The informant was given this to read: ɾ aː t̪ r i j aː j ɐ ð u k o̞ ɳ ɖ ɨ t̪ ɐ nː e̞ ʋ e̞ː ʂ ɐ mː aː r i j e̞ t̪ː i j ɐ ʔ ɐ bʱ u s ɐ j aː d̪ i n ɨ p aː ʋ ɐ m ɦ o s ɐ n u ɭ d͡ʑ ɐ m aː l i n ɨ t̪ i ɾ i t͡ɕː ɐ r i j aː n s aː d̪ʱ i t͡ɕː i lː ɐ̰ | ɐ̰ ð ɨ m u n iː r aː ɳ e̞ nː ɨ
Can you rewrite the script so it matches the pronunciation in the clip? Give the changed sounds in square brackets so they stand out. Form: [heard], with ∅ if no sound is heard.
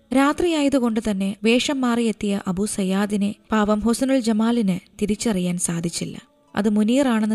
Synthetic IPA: ɾ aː t̪ r i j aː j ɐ ð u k o̞ ɳ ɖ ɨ t̪ ɐ nː e̞ ʋ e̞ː ʂ ɐ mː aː r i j e̞ t̪ː i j ɐ ʔ ɐ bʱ u s ɐ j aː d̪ i n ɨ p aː ʋ ɐ m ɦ o s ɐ n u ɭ d͡ʑ ɐ m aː l i n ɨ t̪ i ɾ i t͡ɕː ɐ r i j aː n s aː d̪ʱ i t͡ɕː i lː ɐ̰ | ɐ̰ ð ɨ m u n iː r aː ɳ e̞ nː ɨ